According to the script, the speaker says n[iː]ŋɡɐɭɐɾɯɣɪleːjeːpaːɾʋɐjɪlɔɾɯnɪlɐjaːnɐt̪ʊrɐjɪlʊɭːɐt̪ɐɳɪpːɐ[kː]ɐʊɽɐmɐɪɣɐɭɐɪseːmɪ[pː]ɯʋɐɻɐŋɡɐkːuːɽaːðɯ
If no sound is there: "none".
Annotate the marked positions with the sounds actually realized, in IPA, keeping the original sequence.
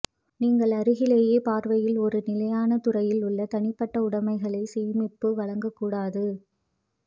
iː, ʈː, pː

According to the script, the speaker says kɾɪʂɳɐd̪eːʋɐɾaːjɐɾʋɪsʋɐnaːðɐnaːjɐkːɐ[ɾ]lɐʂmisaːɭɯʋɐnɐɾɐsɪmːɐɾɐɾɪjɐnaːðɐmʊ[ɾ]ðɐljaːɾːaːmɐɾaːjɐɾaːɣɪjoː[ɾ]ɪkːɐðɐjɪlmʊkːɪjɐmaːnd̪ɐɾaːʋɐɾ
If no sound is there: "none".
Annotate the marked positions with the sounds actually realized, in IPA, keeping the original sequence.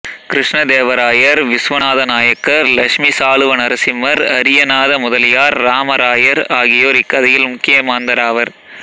ɾ, none, ɾ

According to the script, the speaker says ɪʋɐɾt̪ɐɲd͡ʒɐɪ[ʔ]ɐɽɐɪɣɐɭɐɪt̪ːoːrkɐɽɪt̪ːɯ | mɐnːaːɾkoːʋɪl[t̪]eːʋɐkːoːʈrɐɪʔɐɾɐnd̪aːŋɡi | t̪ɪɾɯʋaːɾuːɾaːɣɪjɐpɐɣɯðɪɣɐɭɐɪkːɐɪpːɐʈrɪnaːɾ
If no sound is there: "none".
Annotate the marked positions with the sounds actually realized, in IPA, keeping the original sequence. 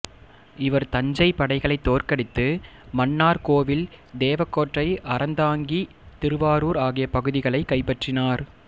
p, d̪

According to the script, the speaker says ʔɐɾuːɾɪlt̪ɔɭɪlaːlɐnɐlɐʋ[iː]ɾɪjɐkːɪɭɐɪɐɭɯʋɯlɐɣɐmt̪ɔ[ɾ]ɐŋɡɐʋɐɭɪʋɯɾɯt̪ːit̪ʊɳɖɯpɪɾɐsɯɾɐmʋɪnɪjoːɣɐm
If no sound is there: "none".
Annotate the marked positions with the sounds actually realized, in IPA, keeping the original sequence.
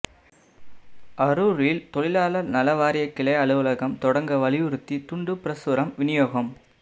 aː, ɽ

